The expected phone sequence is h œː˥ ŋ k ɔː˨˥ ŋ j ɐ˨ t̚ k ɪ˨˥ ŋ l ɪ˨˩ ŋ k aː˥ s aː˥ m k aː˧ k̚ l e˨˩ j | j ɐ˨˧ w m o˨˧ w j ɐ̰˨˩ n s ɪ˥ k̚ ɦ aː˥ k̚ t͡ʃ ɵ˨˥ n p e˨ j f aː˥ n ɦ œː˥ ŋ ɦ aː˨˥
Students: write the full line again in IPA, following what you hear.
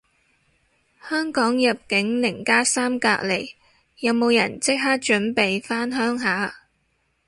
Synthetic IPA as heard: h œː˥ ŋ k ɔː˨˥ ŋ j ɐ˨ p̚ k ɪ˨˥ ŋ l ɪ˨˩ ŋ k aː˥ s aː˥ m k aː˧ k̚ l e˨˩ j | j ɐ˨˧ w m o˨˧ w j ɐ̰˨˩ n t͡s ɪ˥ k̚ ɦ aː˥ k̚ t͡ʃ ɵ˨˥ n p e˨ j f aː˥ n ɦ œː˥ ŋ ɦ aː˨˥